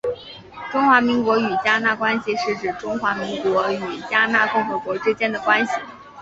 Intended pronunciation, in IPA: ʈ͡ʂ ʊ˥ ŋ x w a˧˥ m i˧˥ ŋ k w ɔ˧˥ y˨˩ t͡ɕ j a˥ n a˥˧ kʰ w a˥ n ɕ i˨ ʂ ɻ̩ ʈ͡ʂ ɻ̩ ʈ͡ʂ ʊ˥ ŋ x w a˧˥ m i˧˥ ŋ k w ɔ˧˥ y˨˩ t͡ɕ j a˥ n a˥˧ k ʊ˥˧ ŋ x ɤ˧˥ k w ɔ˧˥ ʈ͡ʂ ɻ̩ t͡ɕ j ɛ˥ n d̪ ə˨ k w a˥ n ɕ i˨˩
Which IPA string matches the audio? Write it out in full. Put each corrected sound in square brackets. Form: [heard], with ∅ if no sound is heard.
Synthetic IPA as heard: ʈ͡ʂ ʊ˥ ŋ x w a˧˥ m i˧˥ ŋ k w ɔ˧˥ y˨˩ t͡ɕ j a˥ n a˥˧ [k] w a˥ n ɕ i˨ ʂ ɻ̩ ʈ͡ʂ ɻ̩ ʈ͡ʂ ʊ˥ ŋ x w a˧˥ m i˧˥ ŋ k w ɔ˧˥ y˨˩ t͡ɕ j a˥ n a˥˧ k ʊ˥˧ ŋ x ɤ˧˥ k w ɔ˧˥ ʈ͡ʂ ɻ̩ t͡ɕ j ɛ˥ n d̪ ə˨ k w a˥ n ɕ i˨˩